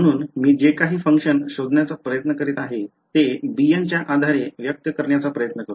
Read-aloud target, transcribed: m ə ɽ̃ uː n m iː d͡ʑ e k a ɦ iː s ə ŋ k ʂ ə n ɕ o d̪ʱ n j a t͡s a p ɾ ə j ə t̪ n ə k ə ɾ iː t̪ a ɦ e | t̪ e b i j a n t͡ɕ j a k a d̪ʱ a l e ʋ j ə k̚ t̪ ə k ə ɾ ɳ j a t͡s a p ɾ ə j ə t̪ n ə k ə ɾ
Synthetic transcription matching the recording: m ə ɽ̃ uː n m iː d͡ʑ e k a ɦ iː f ə ŋ k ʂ ə n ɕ o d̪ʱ n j a t͡s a p ɾ ə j ə t̪ n ə k ə ɾ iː t̪ a ɦ e | t̪ e b i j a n t͡ɕ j a ʔ a d̪ʱ a ɾ e ʋ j ə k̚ t̪ ə k ə ɾ ɳ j a t͡s a p ɾ ə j ə t̪ n ə k ə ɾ